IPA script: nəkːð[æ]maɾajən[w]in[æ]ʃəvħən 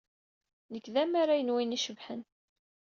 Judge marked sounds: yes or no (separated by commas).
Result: yes, yes, no